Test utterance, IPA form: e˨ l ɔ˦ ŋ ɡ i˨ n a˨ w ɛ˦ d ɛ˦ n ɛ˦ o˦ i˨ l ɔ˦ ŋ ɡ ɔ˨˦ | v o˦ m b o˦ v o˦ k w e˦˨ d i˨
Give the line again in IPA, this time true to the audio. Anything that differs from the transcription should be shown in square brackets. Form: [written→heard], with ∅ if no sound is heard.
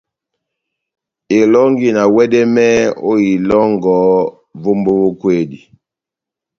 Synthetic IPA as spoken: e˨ l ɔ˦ ŋ ɡ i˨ n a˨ w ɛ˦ d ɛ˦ [n→m] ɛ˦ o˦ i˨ l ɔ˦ ŋ ɡ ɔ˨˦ | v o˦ m b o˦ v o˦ k w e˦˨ d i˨